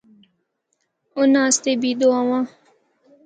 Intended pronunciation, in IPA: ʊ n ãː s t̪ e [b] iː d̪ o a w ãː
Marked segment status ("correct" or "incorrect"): correct